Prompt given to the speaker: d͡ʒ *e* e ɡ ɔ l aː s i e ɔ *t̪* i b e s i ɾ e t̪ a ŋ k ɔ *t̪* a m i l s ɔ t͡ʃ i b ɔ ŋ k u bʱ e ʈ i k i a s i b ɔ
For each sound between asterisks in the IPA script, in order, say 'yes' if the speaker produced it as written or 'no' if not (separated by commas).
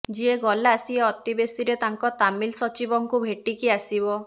no, yes, yes